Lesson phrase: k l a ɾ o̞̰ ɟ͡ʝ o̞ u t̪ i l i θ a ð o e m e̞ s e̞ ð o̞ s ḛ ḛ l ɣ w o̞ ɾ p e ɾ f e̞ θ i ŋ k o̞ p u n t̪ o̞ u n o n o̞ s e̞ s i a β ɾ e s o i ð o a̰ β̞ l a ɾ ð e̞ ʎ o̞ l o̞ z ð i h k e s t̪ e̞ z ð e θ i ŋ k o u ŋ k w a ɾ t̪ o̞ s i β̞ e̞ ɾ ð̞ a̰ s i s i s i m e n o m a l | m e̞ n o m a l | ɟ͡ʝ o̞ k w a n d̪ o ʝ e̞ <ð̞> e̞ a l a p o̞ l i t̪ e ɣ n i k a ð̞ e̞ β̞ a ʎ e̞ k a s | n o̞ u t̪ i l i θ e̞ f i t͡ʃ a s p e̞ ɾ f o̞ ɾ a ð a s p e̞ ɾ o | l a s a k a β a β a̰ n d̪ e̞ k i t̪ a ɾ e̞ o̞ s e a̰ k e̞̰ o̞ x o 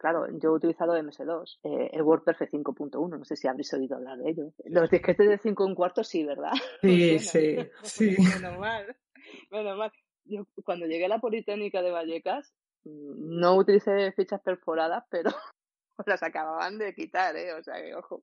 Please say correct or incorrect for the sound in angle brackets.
incorrect